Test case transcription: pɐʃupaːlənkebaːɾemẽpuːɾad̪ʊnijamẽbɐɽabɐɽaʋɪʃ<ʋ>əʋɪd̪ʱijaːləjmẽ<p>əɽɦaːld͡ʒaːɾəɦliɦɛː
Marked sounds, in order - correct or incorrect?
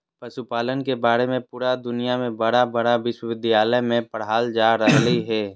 incorrect: w, correct

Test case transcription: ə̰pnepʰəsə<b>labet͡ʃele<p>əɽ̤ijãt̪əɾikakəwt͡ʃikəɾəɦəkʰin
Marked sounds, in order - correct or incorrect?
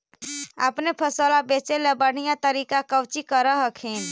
incorrect: none, incorrect: b

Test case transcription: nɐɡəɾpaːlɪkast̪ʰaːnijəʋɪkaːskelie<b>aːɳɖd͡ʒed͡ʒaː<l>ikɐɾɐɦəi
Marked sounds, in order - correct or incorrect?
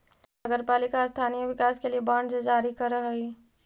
correct, incorrect: ɾ

